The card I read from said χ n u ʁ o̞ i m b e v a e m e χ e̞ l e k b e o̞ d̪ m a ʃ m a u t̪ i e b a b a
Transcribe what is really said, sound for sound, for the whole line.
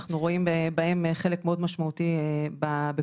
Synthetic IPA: χ n u ʁ o̞ i m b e b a e m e χ e̞ l e k m e o̞ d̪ m a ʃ m a u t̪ i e b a b e